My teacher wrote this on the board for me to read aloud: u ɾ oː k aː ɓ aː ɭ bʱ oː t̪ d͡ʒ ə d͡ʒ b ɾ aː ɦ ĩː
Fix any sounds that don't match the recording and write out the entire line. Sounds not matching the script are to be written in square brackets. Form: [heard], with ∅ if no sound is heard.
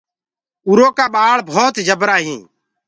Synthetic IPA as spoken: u ɾ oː k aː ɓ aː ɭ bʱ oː t̪ d͡ʒ ə [∅] b ɾ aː ɦ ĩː